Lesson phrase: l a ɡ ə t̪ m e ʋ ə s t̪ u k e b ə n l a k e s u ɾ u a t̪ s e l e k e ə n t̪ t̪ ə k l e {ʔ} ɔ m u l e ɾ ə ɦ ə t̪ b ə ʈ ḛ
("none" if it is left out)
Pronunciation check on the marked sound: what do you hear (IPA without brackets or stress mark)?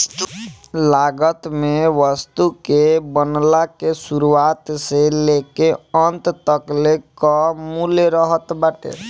k